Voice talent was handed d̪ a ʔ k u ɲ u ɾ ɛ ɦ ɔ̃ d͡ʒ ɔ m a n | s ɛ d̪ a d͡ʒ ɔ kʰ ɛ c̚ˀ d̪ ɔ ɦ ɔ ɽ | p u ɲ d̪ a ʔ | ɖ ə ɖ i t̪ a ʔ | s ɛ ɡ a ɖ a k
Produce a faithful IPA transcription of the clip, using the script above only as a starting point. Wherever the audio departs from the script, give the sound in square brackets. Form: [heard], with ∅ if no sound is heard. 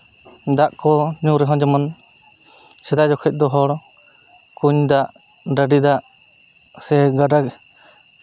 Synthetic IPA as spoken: d̪ a ʔ k [ɔ] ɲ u ɾ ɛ ɦ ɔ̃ d͡ʒ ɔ m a n | s ɛ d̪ a d͡ʒ ɔ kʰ ɛ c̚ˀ d̪ ɔ ɦ ɔ ɽ | [k] u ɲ d̪ a ʔ | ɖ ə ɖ i [d̪] a ʔ | s ɛ ɡ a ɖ a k

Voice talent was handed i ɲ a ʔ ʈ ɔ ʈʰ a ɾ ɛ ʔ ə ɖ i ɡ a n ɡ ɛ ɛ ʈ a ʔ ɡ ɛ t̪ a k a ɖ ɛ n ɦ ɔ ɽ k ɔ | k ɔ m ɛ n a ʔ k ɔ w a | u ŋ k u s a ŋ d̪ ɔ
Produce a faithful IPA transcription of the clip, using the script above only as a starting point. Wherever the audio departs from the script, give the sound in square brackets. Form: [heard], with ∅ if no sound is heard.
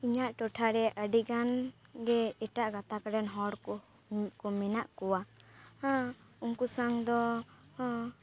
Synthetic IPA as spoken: i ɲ a ʔ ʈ ɔ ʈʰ a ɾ ɛ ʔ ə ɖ i ɡ a n ɡ ɛ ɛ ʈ a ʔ ɡ [a] t̪ a k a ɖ ɛ n ɦ ɔ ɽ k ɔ | k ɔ m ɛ n a ʔ k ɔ w a | u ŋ k u s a ŋ d̪ ɔ

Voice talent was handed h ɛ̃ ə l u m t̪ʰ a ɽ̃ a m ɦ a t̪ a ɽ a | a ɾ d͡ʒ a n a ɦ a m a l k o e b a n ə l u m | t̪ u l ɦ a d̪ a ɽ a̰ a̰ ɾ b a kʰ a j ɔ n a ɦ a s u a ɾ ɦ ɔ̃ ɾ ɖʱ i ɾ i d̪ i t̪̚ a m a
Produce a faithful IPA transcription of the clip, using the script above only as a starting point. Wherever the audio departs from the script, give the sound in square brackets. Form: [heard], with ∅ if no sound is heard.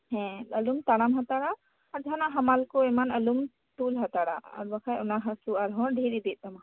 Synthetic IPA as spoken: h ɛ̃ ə l u m [t̪] a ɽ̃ a m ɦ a t̪ a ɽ a | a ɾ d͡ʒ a n a ɦ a m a l k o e [m] a n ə l u m | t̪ u l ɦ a [t̪] a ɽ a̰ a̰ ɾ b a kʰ a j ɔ n a ɦ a s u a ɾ ɦ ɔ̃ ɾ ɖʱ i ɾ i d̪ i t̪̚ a m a

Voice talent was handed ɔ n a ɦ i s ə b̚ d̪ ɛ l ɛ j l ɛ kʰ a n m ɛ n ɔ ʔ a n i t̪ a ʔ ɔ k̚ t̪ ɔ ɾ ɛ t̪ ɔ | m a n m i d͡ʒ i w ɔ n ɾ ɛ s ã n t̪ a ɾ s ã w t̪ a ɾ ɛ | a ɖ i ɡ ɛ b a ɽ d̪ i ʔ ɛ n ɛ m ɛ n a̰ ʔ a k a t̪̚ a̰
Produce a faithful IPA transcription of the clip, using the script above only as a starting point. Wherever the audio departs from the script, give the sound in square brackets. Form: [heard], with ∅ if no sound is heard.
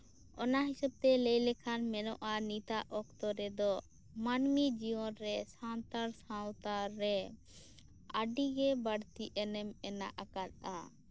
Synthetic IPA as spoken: ɔ n a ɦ i s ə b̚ [t̪] ɛ l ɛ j l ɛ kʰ a n m ɛ n ɔ ʔ a n i t̪ a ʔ ɔ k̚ t̪ ɔ ɾ ɛ [d̪] ɔ | m a n m i d͡ʒ i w ɔ n ɾ ɛ s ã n t̪ a ɾ s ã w t̪ a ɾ ɛ | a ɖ i ɡ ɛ b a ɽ [t̪] i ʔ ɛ n ɛ m ɛ n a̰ ʔ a k a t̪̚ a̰

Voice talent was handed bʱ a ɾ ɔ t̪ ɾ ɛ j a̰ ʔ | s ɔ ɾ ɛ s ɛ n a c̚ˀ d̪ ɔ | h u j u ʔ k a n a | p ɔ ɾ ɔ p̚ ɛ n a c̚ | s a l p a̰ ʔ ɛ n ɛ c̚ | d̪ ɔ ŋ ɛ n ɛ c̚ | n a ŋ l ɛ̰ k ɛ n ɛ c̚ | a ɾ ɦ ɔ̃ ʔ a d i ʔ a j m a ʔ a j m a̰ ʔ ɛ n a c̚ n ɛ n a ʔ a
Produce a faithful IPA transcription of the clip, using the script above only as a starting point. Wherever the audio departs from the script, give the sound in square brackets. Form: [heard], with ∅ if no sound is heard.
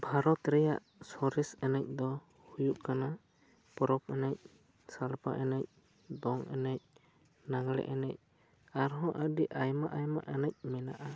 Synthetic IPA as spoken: bʱ a ɾ ɔ t̪ ɾ ɛ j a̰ ʔ | s ɔ ɾ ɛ s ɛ n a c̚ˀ d̪ ɔ | h u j u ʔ k a n a | p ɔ ɾ ɔ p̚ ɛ n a c̚ | s a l p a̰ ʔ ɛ n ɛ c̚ | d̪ ɔ ŋ ɛ n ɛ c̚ | n a ŋ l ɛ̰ [ʔ] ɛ n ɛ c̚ | a ɾ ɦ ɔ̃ ʔ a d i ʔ a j m a ʔ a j m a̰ ʔ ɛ n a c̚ [m] ɛ n a ʔ a

